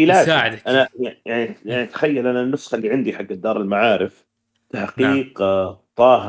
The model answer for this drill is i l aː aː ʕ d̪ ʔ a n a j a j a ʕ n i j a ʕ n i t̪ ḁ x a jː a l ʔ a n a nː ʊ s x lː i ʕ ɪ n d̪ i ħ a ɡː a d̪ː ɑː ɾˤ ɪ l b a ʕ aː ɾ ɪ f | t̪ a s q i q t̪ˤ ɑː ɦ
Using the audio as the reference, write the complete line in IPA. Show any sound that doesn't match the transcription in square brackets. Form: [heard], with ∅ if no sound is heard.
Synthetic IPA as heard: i l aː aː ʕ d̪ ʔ a n a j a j a ʕ n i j a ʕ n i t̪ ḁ x a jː a l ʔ a n a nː ʊ s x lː i ʕ ɪ n d̪ i ħ a ɡː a d̪ː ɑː ɾˤ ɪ l [m] a ʕ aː ɾ ɪ f | t̪ a [ħ] q [iː] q t̪ˤ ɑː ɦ